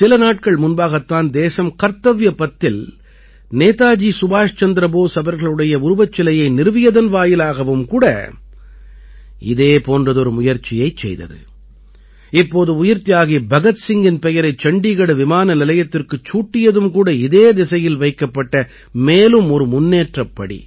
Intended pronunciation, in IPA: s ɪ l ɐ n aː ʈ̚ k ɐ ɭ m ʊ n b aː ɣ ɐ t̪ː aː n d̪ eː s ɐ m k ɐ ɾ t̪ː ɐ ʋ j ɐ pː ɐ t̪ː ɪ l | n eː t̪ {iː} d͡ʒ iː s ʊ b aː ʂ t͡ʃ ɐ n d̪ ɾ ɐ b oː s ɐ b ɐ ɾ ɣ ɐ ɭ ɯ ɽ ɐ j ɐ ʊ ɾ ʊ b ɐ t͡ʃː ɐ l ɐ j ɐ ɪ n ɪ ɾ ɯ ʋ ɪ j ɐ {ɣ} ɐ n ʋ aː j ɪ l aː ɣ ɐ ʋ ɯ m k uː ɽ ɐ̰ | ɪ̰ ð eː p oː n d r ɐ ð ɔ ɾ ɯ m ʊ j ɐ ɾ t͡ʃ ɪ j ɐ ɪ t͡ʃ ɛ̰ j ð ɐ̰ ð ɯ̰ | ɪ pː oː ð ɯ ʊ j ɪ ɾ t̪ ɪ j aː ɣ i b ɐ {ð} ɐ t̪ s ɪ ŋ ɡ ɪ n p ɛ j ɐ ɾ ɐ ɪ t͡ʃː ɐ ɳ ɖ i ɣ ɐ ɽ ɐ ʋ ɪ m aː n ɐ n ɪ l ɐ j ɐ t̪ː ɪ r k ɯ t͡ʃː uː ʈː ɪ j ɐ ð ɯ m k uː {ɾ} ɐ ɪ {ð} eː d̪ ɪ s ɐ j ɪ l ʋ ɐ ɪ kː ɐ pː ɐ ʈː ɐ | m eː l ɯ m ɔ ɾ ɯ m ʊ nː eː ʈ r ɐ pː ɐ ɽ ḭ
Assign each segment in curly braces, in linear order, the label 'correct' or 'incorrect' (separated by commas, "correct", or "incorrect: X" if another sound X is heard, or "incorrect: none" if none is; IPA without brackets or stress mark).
incorrect: aː, incorrect: ð, incorrect: ɣ, incorrect: ɽ, correct